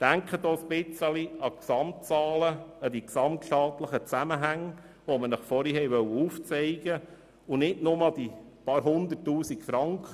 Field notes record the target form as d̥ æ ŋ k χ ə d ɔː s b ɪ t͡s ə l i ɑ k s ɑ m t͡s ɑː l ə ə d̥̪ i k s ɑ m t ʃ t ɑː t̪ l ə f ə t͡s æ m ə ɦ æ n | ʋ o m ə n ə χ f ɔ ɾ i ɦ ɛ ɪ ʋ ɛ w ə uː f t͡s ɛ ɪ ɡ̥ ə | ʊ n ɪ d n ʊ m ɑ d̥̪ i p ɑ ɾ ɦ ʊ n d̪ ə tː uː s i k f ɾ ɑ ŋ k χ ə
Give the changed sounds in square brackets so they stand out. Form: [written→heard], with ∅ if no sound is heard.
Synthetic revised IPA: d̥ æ ŋ k χ ə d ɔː s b ɪ t͡s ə l i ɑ k s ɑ m t͡s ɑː l ə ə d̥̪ i k s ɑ m t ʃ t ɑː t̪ l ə [f→χ] ə t͡s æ m ə ɦ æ [n→ŋ] | ʋ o m ə n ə χ f ɔ ɾ i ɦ ɛ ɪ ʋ [ɛ→œ] w ə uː f t͡s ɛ ɪ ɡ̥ ə | ʊ n ɪ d n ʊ m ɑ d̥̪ i p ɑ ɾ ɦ ʊ n d̪ ə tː uː s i k f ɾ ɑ ŋ k χ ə

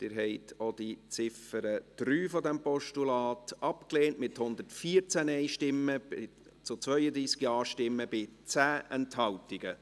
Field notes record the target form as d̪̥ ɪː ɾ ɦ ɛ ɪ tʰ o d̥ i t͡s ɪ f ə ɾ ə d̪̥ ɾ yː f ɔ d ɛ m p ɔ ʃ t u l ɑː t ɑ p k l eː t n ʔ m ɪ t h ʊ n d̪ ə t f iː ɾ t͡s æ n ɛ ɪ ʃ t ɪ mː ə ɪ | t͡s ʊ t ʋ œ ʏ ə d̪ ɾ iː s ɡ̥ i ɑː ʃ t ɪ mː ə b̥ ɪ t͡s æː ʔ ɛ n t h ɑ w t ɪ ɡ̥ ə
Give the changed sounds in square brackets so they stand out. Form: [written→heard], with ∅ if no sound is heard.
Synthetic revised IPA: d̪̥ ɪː ɾ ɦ ɛ ɪ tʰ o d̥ i t͡s ɪ f ə ɾ ə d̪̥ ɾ yː f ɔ d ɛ m p ɔ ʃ t u l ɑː t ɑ p k l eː [t→∅] n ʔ m ɪ t h ʊ n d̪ ə t f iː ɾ t͡s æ n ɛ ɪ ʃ t ɪ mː ə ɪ | t͡s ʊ [t→t͡s] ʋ œ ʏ ə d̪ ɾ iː s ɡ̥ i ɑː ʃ t ɪ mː ə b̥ ɪ t͡s æː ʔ ɛ n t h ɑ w t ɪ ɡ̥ ə

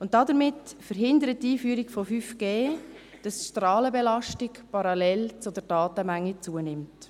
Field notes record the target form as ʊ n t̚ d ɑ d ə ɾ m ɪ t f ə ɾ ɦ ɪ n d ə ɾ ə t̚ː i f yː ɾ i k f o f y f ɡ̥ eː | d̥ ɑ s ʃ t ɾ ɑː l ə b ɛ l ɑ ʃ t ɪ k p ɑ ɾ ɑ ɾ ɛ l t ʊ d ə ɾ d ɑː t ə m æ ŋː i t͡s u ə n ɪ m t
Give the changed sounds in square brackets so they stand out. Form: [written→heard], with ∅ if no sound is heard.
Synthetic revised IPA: ʊ n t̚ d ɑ d ə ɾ m ɪ t f ə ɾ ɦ ɪ n d ə ɾ ə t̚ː [i→iː] f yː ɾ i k f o f y f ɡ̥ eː | d̥ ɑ s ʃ t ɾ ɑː l ə b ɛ l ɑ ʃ t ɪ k p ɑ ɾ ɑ [ɾ→l] ɛ l [t→t͡s] ʊ d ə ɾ d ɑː t ə m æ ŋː i t͡s u ə n ɪ m t

